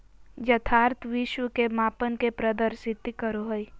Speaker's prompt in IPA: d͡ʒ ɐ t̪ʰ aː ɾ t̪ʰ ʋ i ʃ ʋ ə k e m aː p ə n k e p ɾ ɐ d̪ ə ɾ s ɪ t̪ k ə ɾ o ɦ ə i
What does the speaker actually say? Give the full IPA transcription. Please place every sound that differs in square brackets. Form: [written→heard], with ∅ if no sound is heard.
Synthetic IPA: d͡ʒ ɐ t̪ʰ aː ɾ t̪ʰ ʋ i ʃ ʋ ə k e m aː p ə n k e p ɾ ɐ d̪ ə ɾ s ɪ t̪ k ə ɾ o ɦ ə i

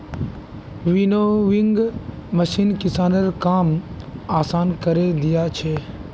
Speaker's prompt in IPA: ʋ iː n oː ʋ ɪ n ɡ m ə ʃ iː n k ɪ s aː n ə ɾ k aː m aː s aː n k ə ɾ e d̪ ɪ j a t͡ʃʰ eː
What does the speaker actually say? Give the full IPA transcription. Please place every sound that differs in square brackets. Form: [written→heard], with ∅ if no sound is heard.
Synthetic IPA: ʋ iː n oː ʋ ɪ [n→ŋ] ɡ m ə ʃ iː n k ɪ s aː n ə ɾ k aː m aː s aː n k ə ɾ e d̪ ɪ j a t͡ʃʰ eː

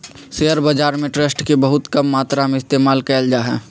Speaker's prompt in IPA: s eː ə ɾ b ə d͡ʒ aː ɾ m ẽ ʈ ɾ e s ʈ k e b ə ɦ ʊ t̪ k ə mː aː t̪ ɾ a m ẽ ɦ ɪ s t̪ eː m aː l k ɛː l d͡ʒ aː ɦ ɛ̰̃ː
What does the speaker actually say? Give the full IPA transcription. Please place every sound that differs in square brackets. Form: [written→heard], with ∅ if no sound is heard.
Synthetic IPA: s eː ə ɾ b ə d͡ʒ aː ɾ m ẽ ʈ ɾ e s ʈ k e b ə ɦ ʊ t̪ k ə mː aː t̪ ɾ a m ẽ [ɦ→∅] ɪ s t̪ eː m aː l k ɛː l d͡ʒ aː ɦ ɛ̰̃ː

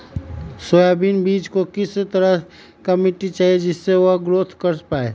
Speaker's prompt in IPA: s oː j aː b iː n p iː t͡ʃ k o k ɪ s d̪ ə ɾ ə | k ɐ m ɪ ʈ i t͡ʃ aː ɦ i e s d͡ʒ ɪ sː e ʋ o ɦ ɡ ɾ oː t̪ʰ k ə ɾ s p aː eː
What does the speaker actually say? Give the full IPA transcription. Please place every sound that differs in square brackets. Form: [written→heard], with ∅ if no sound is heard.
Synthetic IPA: s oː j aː b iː n [p→b] iː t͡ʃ k o k ɪ s [d̪→t̪] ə ɾ ə | k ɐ m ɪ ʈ i t͡ʃ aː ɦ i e [s→∅] d͡ʒ ɪ sː e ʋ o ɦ ɡ ɾ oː t̪ʰ k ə ɾ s p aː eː

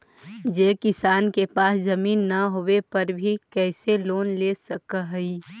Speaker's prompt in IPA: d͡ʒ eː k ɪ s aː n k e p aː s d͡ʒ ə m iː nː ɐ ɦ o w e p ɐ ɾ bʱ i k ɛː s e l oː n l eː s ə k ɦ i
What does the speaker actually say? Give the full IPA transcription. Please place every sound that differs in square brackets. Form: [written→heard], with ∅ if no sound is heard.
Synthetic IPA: d͡ʒ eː k ɪ s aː n k e p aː s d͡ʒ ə m iː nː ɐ ɦ o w e p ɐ ɾ bʱ i k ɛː s e l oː n l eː s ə k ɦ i

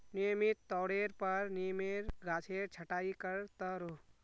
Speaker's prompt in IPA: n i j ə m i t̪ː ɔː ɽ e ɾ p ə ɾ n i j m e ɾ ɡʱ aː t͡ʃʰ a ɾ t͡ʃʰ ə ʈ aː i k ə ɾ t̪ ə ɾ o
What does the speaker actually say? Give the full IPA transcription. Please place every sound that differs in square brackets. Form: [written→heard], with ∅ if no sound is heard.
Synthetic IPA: n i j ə m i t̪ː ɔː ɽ e ɾ p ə ɾ n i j m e ɾ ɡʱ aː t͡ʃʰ [a→e] ɾ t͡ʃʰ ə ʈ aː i k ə ɾ t̪ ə ɾ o

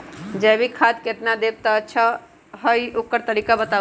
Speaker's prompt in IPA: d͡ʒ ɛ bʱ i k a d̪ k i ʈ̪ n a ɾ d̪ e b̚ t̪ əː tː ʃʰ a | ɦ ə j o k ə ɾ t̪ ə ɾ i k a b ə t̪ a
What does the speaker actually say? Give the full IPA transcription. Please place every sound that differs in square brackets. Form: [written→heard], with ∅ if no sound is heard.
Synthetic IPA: d͡ʒ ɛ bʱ i [k→kʰ] a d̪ k [i→e] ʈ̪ n a [ɾ→∅] d̪ e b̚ t̪ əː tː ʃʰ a | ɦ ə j o k ə ɾ t̪ ə ɾ i k a b ə t̪ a

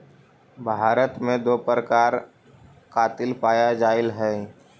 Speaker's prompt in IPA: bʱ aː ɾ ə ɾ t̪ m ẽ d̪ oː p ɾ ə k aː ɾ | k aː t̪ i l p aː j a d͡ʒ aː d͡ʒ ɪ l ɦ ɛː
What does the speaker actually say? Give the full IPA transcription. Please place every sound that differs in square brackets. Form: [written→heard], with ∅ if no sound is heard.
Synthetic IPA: bʱ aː ɾ ə [ɾ→∅] t̪ m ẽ d̪ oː p ɾ ə k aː ɾ | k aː t̪ [i→ɪ] l p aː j a d͡ʒ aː [d͡ʒ→∅] ɪ l ɦ ɛː

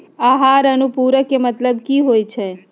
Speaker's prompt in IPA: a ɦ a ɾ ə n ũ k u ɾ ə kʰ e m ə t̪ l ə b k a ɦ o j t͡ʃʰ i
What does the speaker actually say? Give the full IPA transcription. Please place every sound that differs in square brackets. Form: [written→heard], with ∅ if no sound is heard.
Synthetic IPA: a ɦ a ɾ ə n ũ [k→p] u ɾ ə [kʰ→k] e m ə t̪ l ə b k [a→i] ɦ o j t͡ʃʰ [i→e]

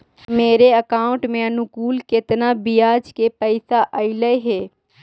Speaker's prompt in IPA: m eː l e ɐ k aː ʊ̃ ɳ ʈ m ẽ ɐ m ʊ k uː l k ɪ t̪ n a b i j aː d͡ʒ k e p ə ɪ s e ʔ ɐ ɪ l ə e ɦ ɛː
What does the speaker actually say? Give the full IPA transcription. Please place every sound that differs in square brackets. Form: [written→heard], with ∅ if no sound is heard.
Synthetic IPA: m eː [l→ɾ] e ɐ k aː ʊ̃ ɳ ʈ m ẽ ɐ [m→n] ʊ k uː l k ɪ t̪ n a b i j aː d͡ʒ k e p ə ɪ s [e→a] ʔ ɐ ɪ l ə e ɦ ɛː

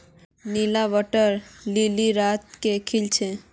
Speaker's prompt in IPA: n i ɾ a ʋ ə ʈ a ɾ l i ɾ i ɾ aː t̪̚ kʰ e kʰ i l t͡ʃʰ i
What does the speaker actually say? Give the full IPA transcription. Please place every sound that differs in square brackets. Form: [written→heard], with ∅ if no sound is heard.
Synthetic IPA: n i [ɾ→l] a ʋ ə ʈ [a→ə] ɾ l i [ɾ→l] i ɾ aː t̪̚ [kʰ→k] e kʰ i l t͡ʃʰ [i→e]

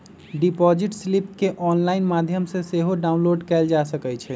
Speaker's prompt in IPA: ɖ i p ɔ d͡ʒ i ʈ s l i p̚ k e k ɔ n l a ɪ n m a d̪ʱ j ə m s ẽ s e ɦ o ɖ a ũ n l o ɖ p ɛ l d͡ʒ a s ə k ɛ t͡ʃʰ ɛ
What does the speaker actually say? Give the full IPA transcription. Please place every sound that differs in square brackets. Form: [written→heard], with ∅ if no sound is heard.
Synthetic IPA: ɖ i p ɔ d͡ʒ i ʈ s l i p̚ k e [k→ʔ] ɔ n l a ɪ n m a d̪ʱ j ə m s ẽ s e ɦ o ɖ a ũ n l o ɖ [p→k] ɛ l d͡ʒ a s ə k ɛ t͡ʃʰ ɛ

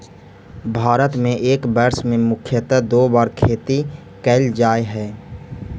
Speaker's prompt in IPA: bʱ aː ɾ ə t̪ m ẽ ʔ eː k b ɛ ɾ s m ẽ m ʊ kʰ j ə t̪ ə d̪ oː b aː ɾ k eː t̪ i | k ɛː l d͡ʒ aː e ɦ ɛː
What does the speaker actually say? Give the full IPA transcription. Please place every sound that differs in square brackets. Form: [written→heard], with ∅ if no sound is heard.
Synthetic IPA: bʱ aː ɾ ə t̪ m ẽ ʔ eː k b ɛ ɾ s m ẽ m ʊ kʰ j ə t̪ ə d̪ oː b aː ɾ [k→kʰ] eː t̪ i | k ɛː l d͡ʒ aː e ɦ ɛː

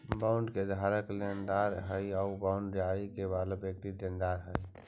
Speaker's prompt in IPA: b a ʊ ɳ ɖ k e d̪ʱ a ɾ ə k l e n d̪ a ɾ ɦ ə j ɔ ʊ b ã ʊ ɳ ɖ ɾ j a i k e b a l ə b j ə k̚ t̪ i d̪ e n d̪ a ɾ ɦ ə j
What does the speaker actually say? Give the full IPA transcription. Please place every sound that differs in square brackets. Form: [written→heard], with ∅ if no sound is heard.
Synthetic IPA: b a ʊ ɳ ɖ k e d̪ʱ a ɾ ə k l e n d̪ a ɾ ɦ ə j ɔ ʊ b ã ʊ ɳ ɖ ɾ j a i k e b a l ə b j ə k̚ t̪ i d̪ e n d̪ a ɾ ɦ ə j

